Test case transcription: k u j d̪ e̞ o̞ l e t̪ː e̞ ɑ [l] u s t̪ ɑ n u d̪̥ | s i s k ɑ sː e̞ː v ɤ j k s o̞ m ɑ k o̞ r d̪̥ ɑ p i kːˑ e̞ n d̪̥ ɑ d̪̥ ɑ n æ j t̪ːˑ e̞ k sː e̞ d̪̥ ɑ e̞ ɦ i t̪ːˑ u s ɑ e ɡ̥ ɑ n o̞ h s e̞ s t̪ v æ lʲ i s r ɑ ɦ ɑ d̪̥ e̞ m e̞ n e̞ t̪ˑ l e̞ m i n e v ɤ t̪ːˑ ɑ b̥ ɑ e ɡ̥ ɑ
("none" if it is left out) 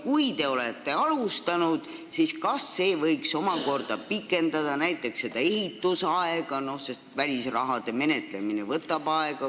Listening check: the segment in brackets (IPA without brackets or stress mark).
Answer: l